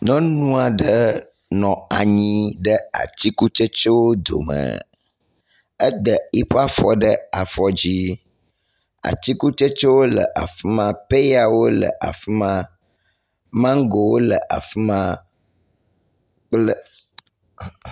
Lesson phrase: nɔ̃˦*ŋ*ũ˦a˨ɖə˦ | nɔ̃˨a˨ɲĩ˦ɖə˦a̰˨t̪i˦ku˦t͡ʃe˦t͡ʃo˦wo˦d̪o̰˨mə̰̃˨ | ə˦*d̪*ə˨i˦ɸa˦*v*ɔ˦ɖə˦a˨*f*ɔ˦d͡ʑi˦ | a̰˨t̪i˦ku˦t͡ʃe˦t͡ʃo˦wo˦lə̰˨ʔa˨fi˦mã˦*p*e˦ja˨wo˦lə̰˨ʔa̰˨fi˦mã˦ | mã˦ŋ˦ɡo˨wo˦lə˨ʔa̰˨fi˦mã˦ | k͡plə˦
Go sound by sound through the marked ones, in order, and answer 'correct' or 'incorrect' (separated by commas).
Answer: incorrect, correct, incorrect, correct, correct